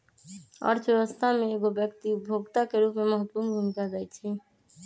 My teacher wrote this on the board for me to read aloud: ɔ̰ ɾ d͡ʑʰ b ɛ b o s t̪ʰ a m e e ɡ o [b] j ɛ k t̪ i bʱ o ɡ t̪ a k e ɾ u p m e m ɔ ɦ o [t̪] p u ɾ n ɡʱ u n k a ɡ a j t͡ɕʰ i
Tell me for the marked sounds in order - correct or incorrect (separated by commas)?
correct, correct